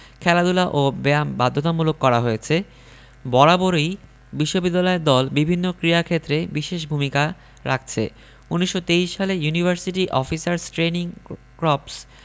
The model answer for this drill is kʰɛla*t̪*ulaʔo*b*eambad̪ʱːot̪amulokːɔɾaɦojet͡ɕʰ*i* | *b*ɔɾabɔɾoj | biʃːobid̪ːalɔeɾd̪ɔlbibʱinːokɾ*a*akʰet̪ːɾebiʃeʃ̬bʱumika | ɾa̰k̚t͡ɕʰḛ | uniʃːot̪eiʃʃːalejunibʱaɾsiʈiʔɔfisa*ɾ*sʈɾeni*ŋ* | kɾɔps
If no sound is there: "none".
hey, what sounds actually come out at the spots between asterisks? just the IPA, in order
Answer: d̪, b, e, b, i, ɾ, ŋ

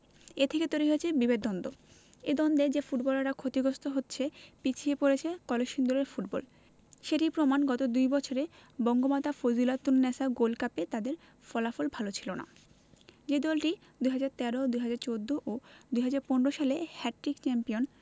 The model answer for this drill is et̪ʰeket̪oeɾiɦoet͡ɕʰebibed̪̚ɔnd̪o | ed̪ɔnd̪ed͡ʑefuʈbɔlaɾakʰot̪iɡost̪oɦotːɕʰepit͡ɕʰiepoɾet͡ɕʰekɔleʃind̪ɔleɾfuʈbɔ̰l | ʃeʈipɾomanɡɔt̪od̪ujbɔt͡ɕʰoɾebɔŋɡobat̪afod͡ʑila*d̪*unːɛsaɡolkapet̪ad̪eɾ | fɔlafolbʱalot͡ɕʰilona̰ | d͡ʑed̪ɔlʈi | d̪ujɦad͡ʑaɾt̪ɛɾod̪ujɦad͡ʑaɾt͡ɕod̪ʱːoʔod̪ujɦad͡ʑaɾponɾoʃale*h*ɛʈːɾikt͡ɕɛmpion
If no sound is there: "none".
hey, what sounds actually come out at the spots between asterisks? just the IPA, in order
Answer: t̪, h

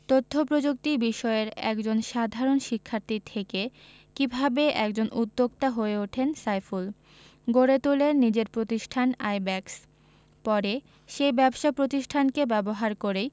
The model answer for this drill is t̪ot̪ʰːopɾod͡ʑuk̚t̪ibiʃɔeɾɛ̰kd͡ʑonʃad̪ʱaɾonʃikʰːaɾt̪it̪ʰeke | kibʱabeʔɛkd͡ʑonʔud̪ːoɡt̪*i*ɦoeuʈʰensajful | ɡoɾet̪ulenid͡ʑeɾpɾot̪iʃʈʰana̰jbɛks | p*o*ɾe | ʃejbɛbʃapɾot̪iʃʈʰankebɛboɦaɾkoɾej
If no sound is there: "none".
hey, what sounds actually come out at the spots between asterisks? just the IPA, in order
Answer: a, ɔ

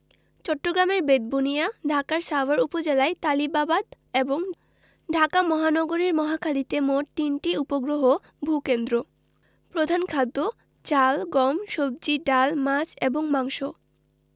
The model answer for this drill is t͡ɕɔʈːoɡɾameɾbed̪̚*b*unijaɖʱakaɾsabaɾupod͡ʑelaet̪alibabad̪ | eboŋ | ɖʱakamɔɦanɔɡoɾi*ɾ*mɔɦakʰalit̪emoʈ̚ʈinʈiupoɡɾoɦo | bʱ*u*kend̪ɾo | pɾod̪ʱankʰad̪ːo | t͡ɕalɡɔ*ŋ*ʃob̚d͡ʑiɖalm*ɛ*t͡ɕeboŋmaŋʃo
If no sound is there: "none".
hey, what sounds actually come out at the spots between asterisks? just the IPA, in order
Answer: b, ɾ, u, m, a

